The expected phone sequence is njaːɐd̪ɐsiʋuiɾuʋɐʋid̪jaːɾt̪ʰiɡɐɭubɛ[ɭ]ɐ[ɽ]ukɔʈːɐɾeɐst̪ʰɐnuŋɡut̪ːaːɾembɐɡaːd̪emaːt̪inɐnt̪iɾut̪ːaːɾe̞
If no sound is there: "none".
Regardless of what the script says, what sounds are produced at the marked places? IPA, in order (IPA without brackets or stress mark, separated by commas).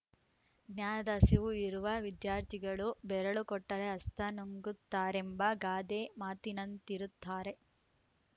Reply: ɾ, ɭ